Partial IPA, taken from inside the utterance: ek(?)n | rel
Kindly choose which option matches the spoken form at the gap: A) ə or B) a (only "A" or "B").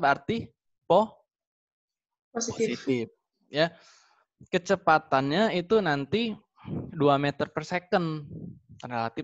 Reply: A